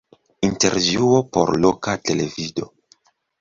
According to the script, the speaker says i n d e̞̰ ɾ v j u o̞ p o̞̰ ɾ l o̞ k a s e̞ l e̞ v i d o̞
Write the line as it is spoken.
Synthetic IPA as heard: i n t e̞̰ ɾ v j u o̞ p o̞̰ ɾ l o̞ k a t e̞ l e̞ v i d o̞